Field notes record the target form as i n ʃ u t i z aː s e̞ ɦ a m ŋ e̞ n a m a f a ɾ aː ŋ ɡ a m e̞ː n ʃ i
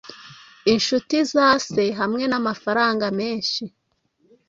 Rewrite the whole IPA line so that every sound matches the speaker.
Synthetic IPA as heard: i n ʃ u t i z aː s e̞ ɦ a m ŋ e̞ n a m a f a ɾ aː ŋ ɡ a m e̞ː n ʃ i

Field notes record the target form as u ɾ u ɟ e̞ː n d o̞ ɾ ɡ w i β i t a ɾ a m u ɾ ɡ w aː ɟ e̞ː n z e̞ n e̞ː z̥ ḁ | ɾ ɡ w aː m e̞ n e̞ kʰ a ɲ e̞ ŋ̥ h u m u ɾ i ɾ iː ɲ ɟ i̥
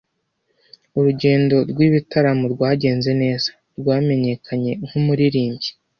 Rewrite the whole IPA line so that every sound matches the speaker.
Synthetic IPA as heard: u ɾ u ɟ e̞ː n d o̞ ɾ ɡ w i β i t a ɾ a m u ɾ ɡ w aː ɟ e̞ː n z e̞ n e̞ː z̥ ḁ | ɾ ɡ w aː m e̞ ɲ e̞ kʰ a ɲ e̞ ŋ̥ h u m u ɾ i ɾ iː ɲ ɟ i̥

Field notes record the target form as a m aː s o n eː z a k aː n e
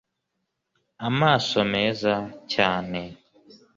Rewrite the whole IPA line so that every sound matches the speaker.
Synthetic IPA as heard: a m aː s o m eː z a c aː n e

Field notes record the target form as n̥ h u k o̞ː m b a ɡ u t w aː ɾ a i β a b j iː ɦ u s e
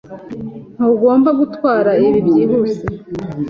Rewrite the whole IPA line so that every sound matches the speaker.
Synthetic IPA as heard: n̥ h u ɡ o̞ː m b a ɡ u t w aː ɾ a i β i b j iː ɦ u s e

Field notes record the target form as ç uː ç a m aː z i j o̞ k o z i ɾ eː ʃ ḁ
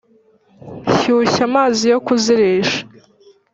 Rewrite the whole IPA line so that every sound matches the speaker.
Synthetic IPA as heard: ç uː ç a m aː z i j o̞ k u z i ɾ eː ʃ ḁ

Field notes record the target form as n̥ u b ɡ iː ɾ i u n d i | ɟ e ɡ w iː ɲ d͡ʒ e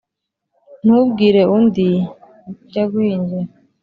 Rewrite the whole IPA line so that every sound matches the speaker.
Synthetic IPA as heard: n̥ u b ɡ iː ɾ e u n d i | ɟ a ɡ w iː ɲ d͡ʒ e

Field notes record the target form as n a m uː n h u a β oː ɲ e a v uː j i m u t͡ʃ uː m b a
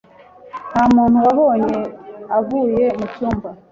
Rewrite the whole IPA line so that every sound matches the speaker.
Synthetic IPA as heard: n a m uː n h u a β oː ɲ e a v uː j e m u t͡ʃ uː m b a

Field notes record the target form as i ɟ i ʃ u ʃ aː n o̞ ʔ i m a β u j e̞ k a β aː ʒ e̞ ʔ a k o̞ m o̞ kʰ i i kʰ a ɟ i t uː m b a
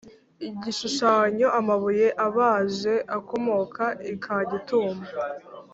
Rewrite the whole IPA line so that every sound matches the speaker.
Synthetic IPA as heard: i ɟ i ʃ u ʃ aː ɲ o̞ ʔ a m a β u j e̞ ʔ a β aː ʒ e̞ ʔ a k o̞ m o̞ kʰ a i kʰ a ɟ i t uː m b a

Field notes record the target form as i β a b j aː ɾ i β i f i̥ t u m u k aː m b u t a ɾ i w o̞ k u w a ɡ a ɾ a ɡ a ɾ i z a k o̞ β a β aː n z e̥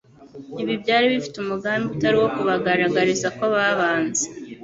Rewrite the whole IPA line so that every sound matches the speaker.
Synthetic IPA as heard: i β i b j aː ɾ i β i f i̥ t u m u ɡ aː m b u t a ɾ i w o̞ k u β a ɡ a ɾ a ɡ a ɾ i z a k o̞ β a β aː n z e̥

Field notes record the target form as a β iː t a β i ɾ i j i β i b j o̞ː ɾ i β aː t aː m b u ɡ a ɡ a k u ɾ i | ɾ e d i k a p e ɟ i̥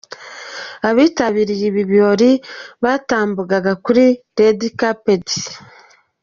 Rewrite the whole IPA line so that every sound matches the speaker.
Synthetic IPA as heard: a β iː t a β i ɾ i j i β i β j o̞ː ɾ i β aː t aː m b u ɡ a ɡ a k u ɾ i | ɾ e d i k a p e d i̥

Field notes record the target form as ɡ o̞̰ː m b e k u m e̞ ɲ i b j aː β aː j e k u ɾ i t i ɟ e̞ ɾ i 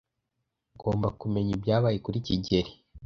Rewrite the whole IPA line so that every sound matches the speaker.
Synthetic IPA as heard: ɡ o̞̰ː m b a k u m e̞ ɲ i b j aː β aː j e k u ɾ i c i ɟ e̞ ɾ i

